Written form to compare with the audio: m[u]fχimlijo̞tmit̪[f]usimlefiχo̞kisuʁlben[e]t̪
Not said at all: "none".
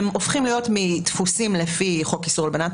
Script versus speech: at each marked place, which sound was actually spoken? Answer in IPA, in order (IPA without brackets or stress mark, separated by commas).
o, f, a